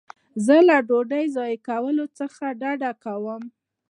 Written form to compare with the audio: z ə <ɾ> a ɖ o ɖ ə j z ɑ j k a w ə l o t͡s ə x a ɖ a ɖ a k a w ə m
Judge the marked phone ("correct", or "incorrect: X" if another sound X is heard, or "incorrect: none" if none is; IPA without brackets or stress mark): incorrect: l